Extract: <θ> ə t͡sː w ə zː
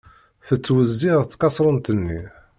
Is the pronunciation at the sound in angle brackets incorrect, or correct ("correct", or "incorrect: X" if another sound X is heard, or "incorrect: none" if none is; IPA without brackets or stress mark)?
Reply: correct